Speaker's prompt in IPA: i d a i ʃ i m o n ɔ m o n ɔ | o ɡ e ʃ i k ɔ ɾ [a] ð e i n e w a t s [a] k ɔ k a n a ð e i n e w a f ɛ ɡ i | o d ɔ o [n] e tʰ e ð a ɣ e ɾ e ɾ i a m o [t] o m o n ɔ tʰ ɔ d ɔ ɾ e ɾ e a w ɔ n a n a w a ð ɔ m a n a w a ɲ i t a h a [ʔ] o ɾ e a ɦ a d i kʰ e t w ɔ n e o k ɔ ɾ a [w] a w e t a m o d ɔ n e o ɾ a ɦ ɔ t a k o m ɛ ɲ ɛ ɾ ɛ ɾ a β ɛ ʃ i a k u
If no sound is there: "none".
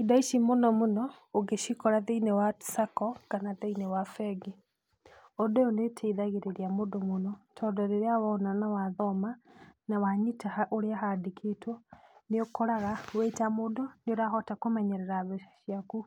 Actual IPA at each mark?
a, a, n, d, ʔ, ɣ

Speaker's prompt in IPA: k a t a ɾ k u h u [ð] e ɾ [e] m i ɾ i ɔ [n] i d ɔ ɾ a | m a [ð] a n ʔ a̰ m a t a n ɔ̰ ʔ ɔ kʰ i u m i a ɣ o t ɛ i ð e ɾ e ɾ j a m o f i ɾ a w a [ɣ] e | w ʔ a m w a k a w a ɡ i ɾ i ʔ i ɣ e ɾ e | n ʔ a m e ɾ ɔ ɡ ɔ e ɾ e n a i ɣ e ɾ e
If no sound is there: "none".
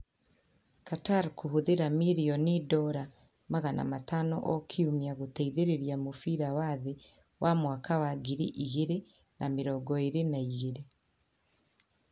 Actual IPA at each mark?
ð, a, n, ɣ, ð

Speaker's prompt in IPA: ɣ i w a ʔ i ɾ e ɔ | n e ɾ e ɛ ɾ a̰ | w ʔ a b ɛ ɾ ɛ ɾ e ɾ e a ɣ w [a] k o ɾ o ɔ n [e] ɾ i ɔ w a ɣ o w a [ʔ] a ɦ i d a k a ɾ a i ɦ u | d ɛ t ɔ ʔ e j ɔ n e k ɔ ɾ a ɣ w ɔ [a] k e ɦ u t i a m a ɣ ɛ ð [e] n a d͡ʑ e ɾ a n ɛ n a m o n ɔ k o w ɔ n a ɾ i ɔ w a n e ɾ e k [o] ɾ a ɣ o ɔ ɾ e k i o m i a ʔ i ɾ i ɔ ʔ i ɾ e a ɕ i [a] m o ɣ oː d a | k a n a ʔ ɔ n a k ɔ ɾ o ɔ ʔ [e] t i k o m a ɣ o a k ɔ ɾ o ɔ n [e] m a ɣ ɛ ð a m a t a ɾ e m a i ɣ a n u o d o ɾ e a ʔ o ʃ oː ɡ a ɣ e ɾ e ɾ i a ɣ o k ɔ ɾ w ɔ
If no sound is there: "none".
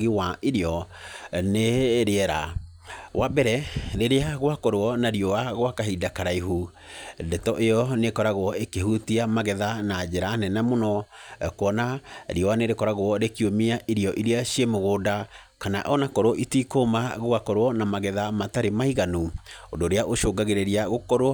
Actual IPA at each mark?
a, a, k, e, a, ɔ, e, i, a

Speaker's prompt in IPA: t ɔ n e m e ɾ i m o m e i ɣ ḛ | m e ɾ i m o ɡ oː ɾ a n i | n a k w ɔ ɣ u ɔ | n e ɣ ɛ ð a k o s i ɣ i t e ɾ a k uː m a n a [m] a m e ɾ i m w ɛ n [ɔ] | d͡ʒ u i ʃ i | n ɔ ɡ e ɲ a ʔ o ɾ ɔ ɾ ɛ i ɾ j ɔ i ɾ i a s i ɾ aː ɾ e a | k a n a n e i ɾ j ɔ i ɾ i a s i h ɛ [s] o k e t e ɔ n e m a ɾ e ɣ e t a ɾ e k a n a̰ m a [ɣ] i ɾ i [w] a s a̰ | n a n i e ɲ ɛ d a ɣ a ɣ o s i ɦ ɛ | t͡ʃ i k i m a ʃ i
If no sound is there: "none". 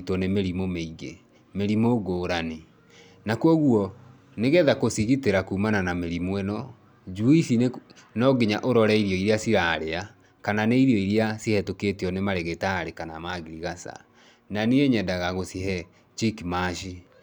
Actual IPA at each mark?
n, ɔ, t, ɣ, ɣ

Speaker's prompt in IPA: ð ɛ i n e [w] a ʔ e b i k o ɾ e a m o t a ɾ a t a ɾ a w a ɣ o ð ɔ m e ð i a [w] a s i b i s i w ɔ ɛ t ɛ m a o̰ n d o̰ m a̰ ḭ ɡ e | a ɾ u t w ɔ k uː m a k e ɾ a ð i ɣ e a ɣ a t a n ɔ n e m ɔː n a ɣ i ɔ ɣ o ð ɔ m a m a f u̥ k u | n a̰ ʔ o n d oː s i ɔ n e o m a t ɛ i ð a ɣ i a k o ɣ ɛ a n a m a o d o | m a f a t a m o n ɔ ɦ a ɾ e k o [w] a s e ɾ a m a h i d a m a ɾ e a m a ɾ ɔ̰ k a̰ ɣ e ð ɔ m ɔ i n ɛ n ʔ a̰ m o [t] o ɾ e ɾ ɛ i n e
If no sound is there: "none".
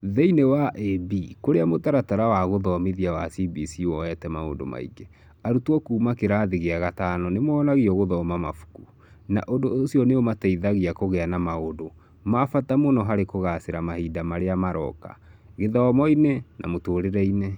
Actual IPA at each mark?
w, w, ɣ, t

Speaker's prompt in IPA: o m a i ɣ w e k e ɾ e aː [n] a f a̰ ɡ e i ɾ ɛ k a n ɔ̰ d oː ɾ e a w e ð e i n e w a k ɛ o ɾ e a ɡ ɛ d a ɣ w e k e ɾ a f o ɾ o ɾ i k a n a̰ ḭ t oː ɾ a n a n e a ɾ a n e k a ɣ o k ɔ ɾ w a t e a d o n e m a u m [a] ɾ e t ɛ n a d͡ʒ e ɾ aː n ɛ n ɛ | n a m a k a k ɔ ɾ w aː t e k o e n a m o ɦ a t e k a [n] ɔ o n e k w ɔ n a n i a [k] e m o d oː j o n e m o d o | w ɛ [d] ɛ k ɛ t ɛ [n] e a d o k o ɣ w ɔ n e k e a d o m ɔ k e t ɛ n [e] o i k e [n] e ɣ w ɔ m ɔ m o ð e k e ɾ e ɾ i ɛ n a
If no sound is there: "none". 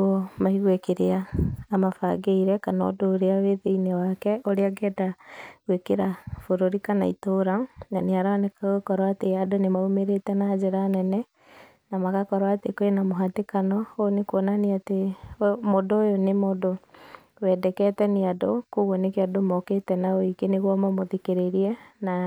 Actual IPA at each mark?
m, e, n, t, d, n, a, n

